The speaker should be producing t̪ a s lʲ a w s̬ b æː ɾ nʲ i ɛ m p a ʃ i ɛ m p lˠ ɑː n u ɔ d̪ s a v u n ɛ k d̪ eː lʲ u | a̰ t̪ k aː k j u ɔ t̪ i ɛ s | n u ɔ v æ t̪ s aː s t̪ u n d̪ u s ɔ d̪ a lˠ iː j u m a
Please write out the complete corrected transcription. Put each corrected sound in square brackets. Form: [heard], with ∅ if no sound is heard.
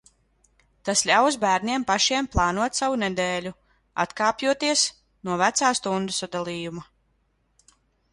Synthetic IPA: t̪ a s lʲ a w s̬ b æː ɾ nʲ i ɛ m p a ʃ i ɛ m p lˠ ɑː n u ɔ [t̪] s a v u n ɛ [∅] d̪ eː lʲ u | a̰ t̪ k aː [p] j u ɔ t̪ i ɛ s | n u ɔ v æ t̪ s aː s t̪ u n d̪ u s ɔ d̪ a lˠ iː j u m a